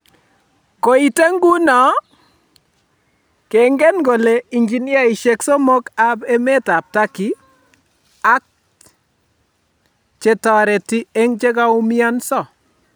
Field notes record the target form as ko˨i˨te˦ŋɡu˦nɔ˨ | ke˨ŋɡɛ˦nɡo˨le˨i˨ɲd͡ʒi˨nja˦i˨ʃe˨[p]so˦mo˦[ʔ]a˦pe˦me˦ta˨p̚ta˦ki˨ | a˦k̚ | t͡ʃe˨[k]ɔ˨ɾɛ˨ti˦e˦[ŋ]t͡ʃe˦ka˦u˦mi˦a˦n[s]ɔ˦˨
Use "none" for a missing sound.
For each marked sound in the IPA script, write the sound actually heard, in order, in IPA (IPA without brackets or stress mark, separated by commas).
k, k, t, ŋ, s